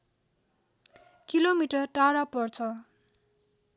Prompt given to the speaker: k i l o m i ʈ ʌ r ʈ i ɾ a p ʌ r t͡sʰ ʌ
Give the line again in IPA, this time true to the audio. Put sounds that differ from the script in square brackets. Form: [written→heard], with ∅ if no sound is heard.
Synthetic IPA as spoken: k i l o m i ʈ ʌ r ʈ [i→a] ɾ a p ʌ r t͡sʰ ʌ